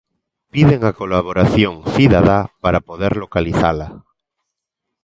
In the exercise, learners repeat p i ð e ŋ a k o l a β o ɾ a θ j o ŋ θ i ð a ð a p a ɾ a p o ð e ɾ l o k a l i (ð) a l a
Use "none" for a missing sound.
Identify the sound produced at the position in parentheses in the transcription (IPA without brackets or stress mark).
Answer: θ